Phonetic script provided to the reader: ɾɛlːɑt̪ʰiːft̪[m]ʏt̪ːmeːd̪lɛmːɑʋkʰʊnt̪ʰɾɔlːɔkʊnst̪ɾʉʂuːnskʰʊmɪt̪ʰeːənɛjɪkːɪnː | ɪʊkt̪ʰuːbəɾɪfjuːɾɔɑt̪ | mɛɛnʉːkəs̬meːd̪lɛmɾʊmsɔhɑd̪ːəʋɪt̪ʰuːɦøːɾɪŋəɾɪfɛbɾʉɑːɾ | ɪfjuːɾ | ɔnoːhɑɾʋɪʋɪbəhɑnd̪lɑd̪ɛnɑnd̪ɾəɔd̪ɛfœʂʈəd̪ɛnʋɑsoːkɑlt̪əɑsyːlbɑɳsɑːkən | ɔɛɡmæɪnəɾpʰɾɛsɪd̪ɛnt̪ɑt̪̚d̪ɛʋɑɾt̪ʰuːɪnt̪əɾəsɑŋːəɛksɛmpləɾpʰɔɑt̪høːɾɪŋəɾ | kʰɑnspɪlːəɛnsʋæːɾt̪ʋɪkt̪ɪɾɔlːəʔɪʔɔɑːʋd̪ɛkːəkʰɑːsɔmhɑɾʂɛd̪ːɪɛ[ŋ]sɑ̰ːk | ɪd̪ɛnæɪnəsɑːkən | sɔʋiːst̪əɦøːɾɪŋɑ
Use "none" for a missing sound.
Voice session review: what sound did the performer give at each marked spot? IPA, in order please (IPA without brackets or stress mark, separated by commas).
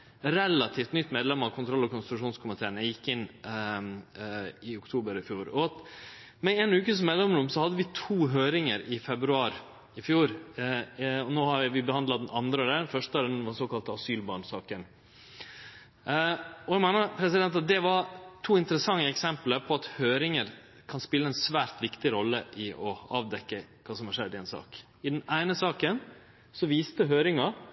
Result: n, n